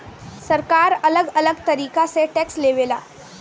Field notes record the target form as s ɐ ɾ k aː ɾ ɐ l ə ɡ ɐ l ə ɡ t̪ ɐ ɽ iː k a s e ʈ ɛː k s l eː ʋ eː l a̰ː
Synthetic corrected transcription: s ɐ ɾ k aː ɾ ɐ l ə ɡ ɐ l ə ɡ t̪ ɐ ɾ iː k a s e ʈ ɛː k s l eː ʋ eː l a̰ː